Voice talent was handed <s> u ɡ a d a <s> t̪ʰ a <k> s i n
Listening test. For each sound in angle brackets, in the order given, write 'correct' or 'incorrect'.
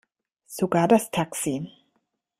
correct, correct, correct

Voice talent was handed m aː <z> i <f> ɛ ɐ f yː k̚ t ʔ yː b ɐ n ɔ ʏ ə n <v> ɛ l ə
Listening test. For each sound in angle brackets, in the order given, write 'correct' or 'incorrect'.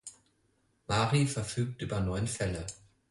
incorrect: ʁ, correct, incorrect: f

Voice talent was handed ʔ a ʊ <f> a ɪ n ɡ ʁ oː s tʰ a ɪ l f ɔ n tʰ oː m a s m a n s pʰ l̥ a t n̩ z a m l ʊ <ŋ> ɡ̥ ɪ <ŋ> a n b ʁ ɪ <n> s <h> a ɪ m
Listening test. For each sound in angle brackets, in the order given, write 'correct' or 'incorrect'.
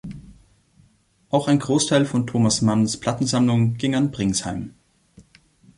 incorrect: x, correct, correct, incorrect: ŋ, correct

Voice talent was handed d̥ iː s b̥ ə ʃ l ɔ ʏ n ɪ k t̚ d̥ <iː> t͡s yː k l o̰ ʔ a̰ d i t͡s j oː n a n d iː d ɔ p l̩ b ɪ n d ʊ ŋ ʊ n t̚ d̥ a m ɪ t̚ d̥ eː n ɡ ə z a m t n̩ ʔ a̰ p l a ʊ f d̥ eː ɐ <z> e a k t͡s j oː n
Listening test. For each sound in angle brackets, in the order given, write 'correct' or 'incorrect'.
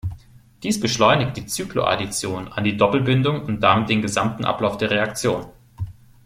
correct, incorrect: ʁ

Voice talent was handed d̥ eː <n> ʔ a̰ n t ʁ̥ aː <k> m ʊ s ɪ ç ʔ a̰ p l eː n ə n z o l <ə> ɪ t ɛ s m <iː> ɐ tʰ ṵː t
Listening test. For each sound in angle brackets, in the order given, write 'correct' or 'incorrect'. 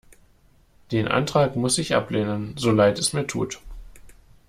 correct, correct, incorrect: a, correct

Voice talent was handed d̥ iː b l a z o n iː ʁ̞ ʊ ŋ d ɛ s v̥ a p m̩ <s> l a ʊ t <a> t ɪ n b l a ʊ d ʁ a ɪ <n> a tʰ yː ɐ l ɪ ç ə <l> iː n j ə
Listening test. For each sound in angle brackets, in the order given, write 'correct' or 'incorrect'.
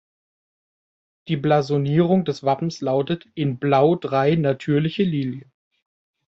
correct, incorrect: ə, correct, correct

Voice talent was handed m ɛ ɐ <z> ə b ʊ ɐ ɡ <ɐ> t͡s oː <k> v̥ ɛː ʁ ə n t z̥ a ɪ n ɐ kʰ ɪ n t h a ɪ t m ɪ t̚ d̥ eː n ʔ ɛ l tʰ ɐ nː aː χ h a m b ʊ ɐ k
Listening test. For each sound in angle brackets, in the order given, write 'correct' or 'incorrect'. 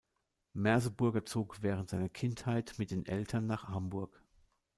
correct, correct, correct

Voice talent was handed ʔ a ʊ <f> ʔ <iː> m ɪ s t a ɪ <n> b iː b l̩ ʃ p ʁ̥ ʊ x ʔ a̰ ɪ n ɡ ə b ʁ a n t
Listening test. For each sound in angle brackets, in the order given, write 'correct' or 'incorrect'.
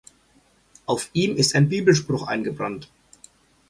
correct, correct, correct

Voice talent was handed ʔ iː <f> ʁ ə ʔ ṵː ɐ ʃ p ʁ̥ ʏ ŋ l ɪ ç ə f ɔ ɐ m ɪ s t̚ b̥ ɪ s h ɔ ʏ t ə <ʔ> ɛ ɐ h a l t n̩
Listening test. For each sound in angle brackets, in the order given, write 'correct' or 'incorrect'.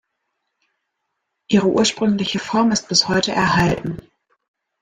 incorrect: none, correct

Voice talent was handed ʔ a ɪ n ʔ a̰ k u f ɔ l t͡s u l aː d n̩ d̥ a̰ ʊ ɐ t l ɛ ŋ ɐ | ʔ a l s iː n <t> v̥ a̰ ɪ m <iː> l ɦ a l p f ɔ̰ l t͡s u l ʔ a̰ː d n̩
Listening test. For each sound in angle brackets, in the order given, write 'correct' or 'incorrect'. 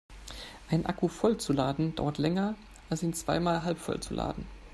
incorrect: t͡s, incorrect: aː

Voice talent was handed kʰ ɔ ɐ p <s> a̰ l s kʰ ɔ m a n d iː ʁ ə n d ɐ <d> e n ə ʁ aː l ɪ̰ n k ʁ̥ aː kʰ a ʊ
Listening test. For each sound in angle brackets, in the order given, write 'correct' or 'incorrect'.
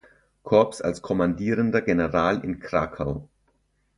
correct, incorrect: ɡ

